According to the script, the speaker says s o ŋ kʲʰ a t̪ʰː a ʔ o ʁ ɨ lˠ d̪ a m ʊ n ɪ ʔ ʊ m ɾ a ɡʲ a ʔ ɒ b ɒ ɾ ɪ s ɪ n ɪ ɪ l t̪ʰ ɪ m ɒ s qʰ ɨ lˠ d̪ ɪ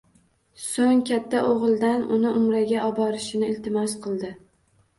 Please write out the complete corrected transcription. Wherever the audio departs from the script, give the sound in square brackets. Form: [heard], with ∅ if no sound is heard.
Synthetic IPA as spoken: s o ŋ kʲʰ a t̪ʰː a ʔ o ʁ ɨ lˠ d̪ a [n] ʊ n ɪ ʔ ʊ m ɾ a ɡʲ a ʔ ɒ b ɒ ɾ ɪ [ʃ] ɪ n ɪ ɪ l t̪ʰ ɪ m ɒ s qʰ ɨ lˠ d̪ ɪ